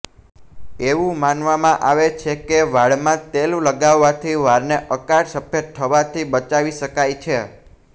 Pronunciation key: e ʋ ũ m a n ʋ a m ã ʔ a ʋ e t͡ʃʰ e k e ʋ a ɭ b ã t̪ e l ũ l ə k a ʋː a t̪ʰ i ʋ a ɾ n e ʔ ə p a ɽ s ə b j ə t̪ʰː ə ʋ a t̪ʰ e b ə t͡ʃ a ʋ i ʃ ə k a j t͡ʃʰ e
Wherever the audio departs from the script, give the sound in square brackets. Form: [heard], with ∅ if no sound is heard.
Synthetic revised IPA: e ʋ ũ m a n ʋ a m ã ʔ a ʋ e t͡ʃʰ e k e ʋ a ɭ [m] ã t̪ e l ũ l ə [ɡ] a ʋː a t̪ʰ i ʋ a ɾ n e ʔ ə [k] a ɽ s ə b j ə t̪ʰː ə ʋ a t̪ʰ [i] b ə t͡ʃ a ʋ i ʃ ə k a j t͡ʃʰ e